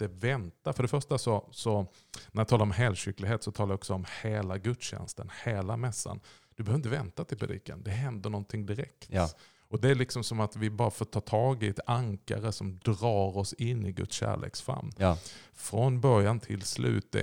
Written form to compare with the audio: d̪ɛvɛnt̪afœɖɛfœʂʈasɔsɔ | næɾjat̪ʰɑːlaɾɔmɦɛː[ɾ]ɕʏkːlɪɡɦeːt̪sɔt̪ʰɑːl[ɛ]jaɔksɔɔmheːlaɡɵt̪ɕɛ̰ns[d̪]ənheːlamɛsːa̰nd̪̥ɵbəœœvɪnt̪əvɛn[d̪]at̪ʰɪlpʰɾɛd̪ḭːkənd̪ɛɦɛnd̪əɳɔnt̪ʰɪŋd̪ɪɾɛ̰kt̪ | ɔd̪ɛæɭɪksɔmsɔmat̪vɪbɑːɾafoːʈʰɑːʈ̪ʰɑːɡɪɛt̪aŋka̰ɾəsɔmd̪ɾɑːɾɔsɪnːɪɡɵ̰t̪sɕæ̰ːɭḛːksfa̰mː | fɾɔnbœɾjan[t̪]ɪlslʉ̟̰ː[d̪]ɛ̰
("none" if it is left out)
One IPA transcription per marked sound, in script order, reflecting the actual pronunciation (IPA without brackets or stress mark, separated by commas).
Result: l, a, t̪, t̪, t̪ʰ, t̪